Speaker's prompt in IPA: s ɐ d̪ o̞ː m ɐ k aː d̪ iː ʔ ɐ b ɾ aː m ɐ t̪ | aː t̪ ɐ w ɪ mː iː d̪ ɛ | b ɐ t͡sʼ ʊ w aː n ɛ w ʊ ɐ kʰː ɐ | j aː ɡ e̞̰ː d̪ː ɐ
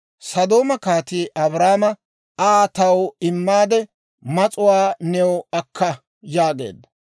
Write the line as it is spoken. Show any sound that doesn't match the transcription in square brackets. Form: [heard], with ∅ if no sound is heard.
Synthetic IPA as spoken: s ɐ d̪ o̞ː m ɐ k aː [t̪] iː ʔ ɐ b ɾ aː m ɐ [∅] | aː t̪ ɐ w ɪ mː [aː] d̪ ɛ | [m] ɐ t͡sʼ ʊ w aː n ɛ w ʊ ɐ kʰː ɐ | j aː ɡ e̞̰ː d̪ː ɐ